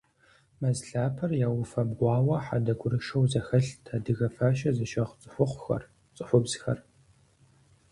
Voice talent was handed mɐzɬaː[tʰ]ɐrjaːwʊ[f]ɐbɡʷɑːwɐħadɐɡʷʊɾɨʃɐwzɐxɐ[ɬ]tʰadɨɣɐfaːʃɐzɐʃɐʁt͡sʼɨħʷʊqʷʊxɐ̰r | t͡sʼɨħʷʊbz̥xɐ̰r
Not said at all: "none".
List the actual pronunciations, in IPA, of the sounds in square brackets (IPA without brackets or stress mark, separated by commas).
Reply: pʰ, f, ɬ